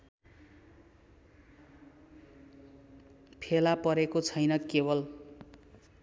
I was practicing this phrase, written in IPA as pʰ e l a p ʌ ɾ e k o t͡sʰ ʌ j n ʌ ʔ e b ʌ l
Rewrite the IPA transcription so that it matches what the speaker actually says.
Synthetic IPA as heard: pʰ e l a p ʌ ɾ e k o t͡sʰ ʌ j n ʌ k e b ʌ l